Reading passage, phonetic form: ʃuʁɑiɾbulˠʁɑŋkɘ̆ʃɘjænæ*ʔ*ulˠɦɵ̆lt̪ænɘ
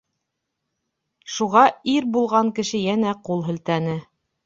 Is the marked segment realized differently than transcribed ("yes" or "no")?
yes